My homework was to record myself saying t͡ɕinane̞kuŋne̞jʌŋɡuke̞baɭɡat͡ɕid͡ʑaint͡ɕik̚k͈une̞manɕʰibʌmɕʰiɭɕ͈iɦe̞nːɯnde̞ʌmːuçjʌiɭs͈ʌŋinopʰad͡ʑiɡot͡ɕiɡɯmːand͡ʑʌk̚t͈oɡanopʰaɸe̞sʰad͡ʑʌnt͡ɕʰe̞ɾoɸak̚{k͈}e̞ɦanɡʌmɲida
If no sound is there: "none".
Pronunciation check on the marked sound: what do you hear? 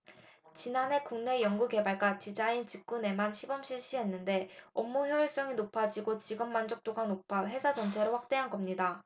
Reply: t͈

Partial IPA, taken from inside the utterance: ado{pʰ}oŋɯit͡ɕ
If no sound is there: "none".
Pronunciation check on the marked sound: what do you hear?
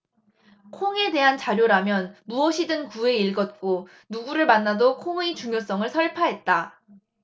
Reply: kʰ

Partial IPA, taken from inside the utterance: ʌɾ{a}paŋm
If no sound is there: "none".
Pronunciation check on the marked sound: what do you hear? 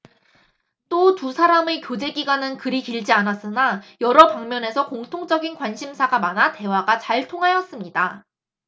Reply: ʌ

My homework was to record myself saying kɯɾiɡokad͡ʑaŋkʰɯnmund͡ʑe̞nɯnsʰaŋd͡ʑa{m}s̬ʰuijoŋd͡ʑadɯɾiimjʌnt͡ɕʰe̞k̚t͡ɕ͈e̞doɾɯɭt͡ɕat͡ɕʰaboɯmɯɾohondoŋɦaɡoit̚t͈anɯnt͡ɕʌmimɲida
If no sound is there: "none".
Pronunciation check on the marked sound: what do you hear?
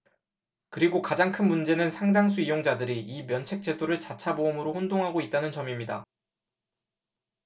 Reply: ŋ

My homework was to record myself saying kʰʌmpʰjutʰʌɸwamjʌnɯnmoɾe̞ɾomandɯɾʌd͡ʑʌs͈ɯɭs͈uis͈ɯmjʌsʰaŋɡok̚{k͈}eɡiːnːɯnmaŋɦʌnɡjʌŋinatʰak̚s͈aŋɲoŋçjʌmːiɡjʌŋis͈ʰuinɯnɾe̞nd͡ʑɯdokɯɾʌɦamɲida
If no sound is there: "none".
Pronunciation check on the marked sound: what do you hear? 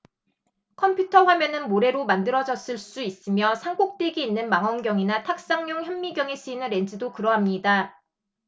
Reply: t͈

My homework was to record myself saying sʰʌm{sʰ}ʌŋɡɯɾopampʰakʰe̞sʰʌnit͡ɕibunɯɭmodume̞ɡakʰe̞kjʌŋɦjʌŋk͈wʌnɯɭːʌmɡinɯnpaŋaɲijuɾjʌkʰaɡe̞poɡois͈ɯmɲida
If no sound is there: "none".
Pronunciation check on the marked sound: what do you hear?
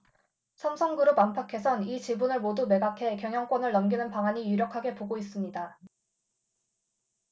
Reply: sʰ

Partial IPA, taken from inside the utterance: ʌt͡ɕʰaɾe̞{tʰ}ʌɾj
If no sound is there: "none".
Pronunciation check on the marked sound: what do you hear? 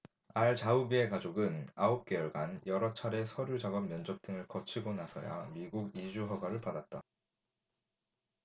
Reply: sʰ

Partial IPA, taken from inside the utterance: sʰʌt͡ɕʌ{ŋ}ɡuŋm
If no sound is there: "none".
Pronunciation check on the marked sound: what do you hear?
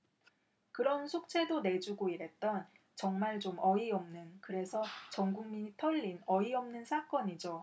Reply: ŋ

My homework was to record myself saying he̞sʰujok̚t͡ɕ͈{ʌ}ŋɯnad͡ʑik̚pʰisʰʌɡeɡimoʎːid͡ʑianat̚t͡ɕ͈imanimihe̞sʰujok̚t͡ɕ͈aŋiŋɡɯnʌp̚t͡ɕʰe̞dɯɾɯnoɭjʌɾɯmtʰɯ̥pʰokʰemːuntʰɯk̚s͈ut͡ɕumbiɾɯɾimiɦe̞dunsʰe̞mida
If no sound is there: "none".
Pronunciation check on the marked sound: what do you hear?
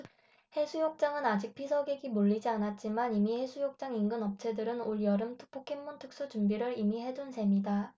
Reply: a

